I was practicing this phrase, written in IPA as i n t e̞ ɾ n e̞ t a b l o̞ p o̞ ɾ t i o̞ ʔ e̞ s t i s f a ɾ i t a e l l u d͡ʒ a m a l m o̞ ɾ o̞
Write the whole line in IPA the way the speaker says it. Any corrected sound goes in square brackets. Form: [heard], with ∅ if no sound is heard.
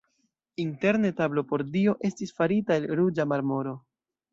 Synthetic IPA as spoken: i n t e̞ ɾ n e̞ t a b l o̞ p o̞ ɾ [d] i o̞ ʔ e̞ s t i s f a ɾ i t a e l [ɾ] u d͡ʒ a m a [ɾ] m o̞ ɾ o̞